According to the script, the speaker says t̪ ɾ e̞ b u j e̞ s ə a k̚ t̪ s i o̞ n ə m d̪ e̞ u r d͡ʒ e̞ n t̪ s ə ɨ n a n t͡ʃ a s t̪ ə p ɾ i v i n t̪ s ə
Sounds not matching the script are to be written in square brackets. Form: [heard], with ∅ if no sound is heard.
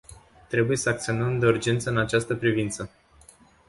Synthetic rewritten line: t̪ ɾ e̞ b u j e̞ s ə a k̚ t̪ s i o̞ n ə m d̪ e̞ u r d͡ʒ e̞ n t̪ s ə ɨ n a [∅] t͡ʃ a s t̪ ə p ɾ i v i n t̪ s ə

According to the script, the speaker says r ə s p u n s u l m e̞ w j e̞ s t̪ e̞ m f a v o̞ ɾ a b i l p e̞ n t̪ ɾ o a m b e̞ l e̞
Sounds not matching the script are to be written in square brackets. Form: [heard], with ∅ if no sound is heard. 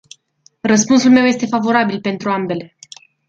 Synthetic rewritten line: r ə s p u n s u l m e̞ w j e̞ s t̪ e̞ [∅] f a v o̞ ɾ a b i l p e̞ n t̪ ɾ [u] a m b e̞ l e̞

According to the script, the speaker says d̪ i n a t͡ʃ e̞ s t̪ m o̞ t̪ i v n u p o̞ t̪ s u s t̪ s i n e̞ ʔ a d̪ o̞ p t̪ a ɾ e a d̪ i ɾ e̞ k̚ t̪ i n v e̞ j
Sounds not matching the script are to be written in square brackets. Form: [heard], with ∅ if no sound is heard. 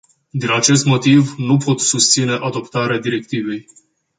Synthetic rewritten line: d̪ i n a t͡ʃ e̞ s t̪ m o̞ t̪ i v n u p o̞ t̪ s u s t̪ s i n e̞ ʔ a d̪ o̞ p t̪ a ɾ e a d̪ i ɾ e̞ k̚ t̪ i [∅] v e̞ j

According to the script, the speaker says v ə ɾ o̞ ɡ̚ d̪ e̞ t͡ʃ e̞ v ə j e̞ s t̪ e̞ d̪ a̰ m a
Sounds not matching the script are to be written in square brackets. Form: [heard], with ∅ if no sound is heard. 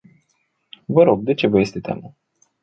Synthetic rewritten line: v ə ɾ o̞ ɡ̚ d̪ e̞ t͡ʃ e̞ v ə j e̞ s t̪ e̞ [t̪] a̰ m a

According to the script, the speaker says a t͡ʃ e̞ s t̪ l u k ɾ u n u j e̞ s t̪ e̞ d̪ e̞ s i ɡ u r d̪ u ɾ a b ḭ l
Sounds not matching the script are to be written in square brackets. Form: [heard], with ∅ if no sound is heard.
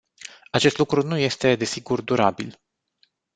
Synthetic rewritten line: a t͡ʃ e̞ s t̪ l u k ɾ u n u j e̞ s t̪ e̞ d̪ e̞ s i ɡ u r d̪ u ɾ a b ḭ l

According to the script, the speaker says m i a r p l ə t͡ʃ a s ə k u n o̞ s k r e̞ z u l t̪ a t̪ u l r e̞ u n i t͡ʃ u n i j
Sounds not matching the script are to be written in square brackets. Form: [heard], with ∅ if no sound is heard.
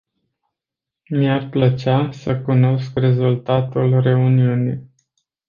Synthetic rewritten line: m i a r p l ə t͡ʃ a s ə k u n o̞ s k r e̞ z u l t̪ a t̪ u l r e̞ u n i [∅] u n i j

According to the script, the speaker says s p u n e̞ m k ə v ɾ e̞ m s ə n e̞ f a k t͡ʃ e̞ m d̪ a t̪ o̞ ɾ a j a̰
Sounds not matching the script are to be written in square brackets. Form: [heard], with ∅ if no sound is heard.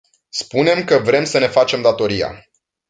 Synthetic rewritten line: s p u n e̞ m k ə v ɾ e̞ m s ə n e̞ f a [∅] t͡ʃ e̞ m d̪ a t̪ o̞ ɾ [i] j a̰

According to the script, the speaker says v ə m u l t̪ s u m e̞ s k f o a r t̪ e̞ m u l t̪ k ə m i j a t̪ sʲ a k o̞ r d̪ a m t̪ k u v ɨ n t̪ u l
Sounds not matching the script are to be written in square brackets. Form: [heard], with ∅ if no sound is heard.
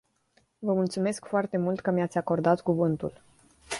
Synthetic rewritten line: v ə m u l t̪ s u m e̞ s k f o a r t̪ e̞ m u l t̪ k ə m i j a t̪ sʲ a k o̞ r d̪ a [∅] t̪ k u v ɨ n t̪ u l

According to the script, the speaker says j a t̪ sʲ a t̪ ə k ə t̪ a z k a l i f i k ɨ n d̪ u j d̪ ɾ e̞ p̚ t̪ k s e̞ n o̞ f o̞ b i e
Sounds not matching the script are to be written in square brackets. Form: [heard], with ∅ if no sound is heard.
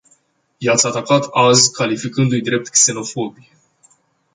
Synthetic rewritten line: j a t̪ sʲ a t̪ [a] k [a] t̪ a z k a l i f i k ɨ n d̪ u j d̪ ɾ e̞ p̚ t̪ k s e̞ n o̞ f o̞ b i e

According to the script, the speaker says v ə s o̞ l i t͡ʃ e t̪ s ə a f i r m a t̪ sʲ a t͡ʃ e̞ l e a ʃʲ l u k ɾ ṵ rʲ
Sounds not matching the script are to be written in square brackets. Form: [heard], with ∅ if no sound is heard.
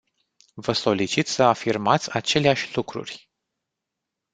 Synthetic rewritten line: v ə s o̞ l i t͡ʃ [i] t̪ s ə a f i r m a t̪ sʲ a t͡ʃ e̞ l e a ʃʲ l u k ɾ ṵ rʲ

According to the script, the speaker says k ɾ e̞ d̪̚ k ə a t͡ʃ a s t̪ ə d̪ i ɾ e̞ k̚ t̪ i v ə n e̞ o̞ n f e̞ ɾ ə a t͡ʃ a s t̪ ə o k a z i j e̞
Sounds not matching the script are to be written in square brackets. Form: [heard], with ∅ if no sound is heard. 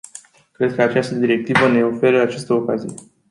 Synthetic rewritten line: k ɾ e̞ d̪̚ k ə a t͡ʃ a s t̪ ə d̪ i ɾ e̞ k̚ t̪ i v ə n e̞ o̞ [∅] f e̞ ɾ ə a t͡ʃ a s t̪ ə o k a z i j e̞

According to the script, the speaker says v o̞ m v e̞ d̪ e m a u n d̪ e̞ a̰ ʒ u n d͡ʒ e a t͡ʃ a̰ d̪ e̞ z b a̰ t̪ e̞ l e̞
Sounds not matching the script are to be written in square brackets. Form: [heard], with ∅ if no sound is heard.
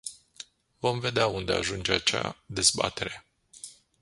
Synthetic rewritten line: v o̞ m v e̞ d̪ e [∅] a u n d̪ e̞ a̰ ʒ u n d͡ʒ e a t͡ʃ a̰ d̪ e̞ z b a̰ t̪ e̞ [ɾ] e̞

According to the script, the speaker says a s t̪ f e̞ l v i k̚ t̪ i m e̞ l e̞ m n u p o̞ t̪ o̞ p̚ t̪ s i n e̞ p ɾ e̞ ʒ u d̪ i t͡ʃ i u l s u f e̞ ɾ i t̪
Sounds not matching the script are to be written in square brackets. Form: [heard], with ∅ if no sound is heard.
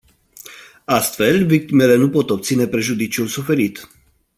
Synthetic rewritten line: a s t̪ f e̞ l v i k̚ t̪ i m e̞ l e̞ [∅] n u p o̞ t̪ o̞ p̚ t̪ s i n e̞ p ɾ e̞ ʒ u d̪ i t͡ʃ i u l s u f e̞ ɾ i t̪

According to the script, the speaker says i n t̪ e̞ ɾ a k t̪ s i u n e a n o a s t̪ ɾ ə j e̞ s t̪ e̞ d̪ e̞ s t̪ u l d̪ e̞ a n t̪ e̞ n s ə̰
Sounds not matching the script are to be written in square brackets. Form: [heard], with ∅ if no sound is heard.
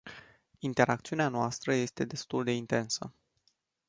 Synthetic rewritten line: i n t̪ e̞ ɾ a k t̪ s i u n e a n o a s t̪ ɾ ə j e̞ s t̪ e̞ d̪ e̞ s t̪ u l d̪ e̞ [i] n t̪ e̞ n s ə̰

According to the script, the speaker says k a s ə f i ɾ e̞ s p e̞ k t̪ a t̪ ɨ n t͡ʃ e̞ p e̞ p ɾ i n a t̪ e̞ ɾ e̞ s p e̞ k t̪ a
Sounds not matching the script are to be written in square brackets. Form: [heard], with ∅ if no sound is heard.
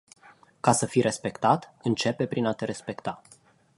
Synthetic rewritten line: k a s ə f i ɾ e̞ s p e̞ k t̪ a t̪ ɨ n t͡ʃ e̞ p e̞ p ɾ i n a t̪ e̞ ɾ e̞ s p e̞ k t̪ a

